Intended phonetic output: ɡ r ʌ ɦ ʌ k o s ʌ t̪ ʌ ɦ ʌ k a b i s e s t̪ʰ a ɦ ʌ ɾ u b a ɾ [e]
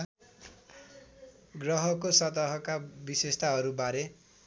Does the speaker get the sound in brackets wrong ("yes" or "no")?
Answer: no